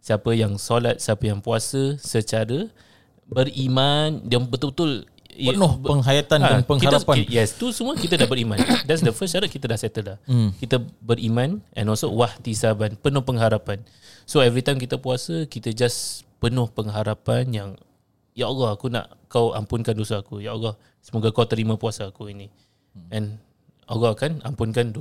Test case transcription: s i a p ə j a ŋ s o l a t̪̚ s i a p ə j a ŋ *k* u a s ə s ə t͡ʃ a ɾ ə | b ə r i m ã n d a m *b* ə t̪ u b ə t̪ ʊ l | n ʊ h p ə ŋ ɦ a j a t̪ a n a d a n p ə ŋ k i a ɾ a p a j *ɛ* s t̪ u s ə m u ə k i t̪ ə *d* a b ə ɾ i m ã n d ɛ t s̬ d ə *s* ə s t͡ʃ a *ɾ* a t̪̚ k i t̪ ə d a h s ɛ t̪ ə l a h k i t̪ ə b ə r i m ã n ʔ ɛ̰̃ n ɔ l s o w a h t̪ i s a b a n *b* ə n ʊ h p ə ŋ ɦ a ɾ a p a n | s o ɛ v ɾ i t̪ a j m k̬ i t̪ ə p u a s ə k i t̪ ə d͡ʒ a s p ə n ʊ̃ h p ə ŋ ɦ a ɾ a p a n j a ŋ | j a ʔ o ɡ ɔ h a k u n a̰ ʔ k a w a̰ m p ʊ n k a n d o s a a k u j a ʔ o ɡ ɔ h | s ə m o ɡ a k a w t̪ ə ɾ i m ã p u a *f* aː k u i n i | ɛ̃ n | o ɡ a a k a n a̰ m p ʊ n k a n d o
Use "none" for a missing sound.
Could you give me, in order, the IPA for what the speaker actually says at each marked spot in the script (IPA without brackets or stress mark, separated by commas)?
p, b, ɛ, d, f, ɾ, p, s